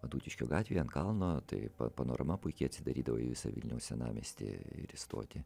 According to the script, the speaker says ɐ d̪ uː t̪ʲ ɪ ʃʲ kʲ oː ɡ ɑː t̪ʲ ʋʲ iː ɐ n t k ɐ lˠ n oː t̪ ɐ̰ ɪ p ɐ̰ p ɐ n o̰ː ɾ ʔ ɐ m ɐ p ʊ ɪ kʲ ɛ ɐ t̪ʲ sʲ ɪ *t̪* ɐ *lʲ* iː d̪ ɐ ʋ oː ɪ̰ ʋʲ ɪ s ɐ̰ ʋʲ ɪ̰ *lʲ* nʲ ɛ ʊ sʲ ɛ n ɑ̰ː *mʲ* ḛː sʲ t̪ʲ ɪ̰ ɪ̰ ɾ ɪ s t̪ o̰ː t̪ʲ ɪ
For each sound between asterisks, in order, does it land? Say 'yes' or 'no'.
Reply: no, no, yes, yes

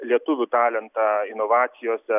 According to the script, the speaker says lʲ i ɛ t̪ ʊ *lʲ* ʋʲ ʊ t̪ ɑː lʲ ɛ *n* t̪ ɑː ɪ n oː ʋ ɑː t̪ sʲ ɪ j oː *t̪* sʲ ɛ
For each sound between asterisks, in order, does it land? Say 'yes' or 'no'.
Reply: no, yes, no

